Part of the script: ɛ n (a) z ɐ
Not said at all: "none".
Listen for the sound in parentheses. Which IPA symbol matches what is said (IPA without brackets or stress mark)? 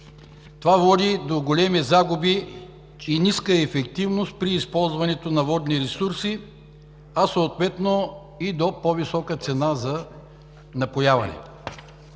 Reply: a